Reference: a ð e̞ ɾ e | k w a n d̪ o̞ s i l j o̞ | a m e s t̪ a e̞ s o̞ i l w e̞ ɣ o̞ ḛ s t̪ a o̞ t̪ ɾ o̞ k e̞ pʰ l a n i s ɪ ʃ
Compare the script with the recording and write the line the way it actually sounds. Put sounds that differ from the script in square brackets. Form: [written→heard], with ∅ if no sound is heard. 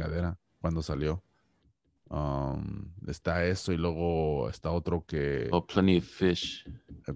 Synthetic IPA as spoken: a ð e̞ ɾ [e→a] | k w a n d̪ o̞ s [i→a] l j o̞ | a m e s t̪ a e̞ s o̞ i l w e̞ ɣ o̞ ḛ s t̪ a o̞ t̪ ɾ o̞ k e̞ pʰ l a n i [s→f] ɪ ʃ

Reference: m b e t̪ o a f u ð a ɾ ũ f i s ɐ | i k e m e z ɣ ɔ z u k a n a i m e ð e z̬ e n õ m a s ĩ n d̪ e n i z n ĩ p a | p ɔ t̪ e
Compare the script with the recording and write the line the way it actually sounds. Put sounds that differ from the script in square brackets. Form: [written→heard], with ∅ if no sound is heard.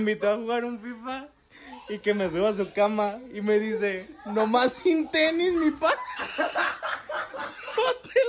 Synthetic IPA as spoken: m b [e→i] t̪ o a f u [ð→ɣ] a ɾ ũ f i [s→f] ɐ | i k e m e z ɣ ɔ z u k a [n→m] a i m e ð [e→i] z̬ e n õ m a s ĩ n [d̪→t̪] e n i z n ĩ p a | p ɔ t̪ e

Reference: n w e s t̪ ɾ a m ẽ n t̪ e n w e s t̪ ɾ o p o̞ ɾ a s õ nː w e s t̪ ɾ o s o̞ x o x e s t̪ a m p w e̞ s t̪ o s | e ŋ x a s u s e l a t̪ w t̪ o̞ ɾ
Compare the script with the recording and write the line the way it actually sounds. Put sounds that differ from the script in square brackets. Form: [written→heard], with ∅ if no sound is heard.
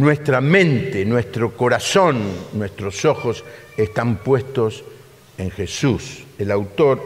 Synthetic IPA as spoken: n w e s t̪ ɾ a m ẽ n t̪ e n w e s t̪ ɾ o [p→k] o̞ ɾ a s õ nː w e s t̪ ɾ o s o̞ x o [x→s] e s t̪ a m p w e̞ s t̪ o s | e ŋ x [a→e] s u s e l a [t̪→∅] w t̪ o̞ ɾ

